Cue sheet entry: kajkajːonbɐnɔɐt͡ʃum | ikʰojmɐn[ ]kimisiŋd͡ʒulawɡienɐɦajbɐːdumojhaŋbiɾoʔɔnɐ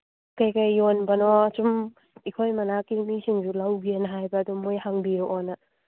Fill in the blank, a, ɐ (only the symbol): a